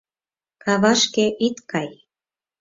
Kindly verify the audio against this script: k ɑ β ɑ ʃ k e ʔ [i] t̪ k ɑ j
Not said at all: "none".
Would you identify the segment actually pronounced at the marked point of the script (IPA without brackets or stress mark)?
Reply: i